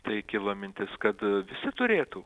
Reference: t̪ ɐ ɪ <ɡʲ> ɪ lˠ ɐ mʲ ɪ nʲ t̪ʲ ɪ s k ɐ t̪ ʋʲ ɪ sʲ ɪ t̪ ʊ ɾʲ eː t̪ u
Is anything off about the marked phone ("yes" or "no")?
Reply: yes